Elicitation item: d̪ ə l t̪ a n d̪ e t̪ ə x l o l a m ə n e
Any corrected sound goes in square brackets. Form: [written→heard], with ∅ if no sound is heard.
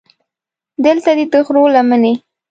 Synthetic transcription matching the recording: d̪ ə l t̪ a [n→∅] d̪ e t̪ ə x [l→ɾ] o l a m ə n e